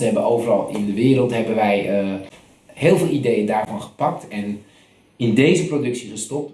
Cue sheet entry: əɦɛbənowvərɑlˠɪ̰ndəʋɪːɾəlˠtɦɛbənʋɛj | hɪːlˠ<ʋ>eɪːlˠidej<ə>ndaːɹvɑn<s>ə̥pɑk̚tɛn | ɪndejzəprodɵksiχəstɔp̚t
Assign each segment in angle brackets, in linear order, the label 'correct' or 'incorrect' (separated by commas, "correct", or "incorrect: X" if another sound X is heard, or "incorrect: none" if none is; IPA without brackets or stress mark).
incorrect: v, correct, incorrect: χ